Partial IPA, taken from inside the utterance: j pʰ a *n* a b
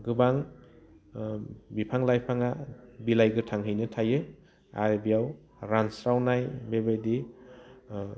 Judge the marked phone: incorrect: ŋ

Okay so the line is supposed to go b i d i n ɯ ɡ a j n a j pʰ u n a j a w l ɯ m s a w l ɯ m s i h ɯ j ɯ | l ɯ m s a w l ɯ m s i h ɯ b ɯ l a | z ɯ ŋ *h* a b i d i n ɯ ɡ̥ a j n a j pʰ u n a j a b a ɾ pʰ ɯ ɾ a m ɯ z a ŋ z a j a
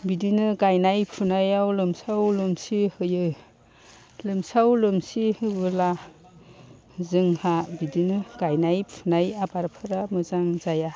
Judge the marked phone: correct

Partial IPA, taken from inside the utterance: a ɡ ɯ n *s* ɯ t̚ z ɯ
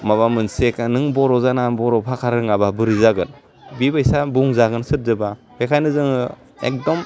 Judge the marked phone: correct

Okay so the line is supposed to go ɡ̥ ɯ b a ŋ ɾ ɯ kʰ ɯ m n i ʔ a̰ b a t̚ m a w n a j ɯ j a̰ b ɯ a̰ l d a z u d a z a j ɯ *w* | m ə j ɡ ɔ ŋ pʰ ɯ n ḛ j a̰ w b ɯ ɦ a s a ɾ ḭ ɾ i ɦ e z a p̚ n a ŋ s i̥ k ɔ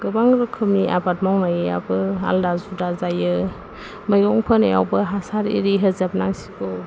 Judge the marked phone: incorrect: none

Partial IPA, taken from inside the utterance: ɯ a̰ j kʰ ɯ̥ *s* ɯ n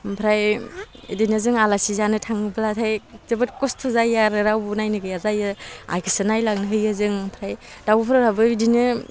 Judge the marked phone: correct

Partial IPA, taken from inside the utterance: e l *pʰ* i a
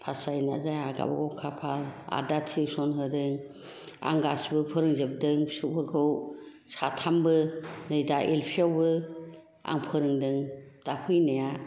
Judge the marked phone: correct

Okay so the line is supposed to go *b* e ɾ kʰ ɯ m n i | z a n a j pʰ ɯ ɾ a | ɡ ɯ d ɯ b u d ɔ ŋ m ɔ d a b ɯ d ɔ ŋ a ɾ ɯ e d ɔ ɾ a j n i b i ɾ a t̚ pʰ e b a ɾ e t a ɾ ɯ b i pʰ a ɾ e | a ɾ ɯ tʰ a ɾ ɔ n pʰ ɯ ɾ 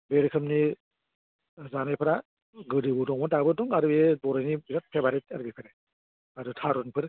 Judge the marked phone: correct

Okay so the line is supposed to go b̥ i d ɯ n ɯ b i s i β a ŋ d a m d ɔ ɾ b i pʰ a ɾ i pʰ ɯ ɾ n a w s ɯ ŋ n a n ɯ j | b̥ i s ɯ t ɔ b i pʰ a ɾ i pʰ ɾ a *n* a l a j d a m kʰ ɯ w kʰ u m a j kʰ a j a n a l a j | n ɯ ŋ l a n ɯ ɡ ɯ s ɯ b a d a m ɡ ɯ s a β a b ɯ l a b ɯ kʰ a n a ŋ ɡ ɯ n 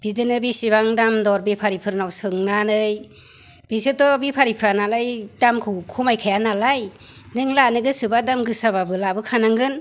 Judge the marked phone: correct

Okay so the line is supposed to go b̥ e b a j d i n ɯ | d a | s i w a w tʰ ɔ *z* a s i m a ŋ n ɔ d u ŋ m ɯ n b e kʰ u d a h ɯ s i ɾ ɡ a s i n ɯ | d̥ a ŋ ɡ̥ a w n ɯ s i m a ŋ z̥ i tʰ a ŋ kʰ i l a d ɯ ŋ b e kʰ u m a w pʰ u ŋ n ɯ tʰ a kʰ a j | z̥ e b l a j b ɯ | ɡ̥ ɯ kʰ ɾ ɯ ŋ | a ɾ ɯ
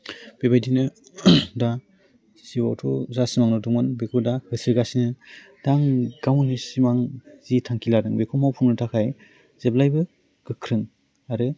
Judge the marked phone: correct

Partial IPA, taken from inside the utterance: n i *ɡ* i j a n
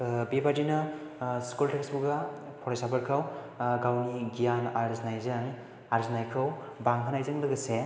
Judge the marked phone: correct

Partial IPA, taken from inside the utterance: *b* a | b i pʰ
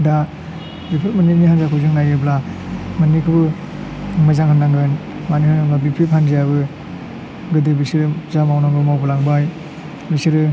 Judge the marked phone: incorrect: d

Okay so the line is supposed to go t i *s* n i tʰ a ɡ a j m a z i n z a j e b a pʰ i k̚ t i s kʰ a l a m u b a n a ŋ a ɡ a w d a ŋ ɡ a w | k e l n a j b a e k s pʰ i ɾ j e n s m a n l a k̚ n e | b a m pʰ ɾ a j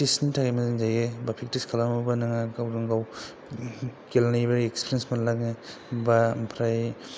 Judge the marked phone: correct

